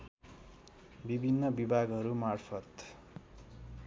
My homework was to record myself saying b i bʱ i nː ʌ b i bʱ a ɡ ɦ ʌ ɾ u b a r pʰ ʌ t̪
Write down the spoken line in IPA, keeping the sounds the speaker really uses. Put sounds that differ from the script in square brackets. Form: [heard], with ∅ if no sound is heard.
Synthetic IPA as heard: b i bʱ i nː ʌ b i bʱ a ɡ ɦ ʌ ɾ u [m] a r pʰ ʌ t̪